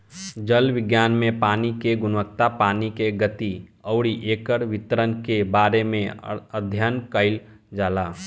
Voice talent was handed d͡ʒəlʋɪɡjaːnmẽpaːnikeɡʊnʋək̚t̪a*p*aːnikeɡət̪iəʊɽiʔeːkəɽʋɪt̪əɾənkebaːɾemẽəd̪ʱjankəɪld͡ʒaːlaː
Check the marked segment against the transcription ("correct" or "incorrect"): correct